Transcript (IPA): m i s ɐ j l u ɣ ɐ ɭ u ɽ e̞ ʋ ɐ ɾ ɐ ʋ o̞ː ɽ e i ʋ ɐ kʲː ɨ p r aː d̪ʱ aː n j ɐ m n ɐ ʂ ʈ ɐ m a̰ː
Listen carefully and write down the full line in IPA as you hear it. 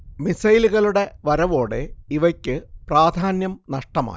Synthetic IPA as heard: m i s ɐ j l u ɣ ɐ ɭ u ɽ e̞ ʋ ɐ ɾ ɐ ʋ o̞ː ɽ e i ʋ ɐ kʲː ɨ p r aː d̪ʱ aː n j ɐ m n ɐ ʂ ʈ ɐ m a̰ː